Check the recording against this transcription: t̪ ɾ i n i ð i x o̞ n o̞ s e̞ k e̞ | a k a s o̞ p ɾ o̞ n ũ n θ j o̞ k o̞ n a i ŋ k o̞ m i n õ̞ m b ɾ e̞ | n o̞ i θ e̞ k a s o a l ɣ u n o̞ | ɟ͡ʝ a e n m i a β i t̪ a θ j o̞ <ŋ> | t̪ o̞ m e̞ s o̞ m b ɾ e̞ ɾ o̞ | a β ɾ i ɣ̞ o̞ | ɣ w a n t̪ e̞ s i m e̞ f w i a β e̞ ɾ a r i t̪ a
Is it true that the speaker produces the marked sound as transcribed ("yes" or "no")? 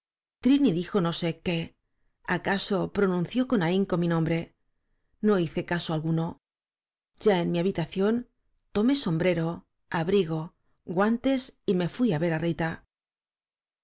no